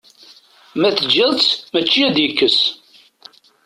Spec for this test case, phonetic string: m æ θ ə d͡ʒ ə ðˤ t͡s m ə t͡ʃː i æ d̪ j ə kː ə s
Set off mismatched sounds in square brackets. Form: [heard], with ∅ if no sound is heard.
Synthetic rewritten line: m æ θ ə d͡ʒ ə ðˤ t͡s m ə t͡ʃː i æ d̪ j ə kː ə s